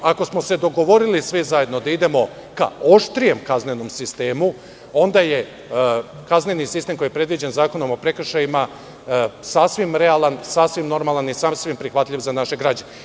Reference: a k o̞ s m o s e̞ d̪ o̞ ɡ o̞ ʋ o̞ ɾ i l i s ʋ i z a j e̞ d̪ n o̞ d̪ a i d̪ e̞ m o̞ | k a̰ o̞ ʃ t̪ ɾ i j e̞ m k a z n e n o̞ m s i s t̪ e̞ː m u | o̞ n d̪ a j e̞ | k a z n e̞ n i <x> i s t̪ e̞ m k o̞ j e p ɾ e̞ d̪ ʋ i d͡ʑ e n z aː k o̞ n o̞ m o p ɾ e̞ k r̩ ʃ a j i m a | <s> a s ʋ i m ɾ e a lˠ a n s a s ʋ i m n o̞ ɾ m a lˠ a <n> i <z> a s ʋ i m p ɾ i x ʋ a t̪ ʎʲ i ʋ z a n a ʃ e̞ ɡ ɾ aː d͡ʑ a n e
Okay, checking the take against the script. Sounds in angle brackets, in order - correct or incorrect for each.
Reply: incorrect, correct, correct, incorrect

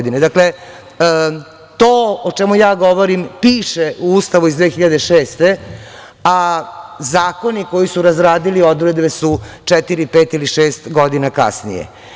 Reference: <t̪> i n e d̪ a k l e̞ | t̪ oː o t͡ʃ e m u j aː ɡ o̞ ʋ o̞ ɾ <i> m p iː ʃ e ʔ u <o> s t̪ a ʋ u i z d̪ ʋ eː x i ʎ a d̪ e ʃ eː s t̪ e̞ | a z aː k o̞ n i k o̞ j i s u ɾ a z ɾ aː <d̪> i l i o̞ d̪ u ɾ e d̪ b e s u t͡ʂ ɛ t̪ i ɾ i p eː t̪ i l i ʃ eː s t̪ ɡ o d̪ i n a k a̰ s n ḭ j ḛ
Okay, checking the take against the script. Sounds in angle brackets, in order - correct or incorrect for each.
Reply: incorrect, correct, incorrect, correct

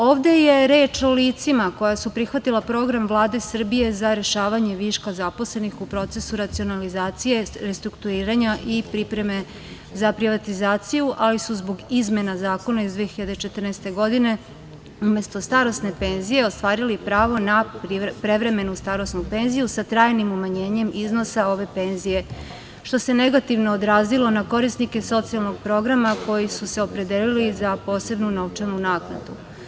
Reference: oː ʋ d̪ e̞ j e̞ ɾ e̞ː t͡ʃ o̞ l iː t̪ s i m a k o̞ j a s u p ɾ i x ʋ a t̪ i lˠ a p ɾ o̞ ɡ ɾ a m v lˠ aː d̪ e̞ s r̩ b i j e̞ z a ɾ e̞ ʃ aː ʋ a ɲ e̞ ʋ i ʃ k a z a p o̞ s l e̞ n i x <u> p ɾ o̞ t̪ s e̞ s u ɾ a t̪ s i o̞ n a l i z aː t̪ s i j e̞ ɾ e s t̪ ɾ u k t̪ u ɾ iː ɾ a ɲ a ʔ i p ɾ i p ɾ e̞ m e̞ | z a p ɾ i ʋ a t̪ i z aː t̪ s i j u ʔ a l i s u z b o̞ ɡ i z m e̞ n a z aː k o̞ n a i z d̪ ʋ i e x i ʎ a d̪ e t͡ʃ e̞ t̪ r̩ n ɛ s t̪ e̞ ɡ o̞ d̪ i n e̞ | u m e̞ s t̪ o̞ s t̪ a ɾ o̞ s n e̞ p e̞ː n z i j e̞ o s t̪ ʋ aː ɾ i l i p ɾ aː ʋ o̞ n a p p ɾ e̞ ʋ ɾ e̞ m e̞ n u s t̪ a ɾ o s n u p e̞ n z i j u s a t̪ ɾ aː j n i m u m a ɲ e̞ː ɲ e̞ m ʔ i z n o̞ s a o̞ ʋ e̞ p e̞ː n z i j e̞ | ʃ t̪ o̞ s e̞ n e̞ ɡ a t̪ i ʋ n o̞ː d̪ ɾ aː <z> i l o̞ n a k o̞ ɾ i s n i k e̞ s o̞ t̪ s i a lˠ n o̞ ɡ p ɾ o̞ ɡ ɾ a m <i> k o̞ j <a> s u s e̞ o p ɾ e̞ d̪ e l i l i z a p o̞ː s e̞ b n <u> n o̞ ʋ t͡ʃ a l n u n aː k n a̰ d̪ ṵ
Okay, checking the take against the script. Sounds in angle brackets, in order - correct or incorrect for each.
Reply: correct, correct, incorrect, incorrect, correct

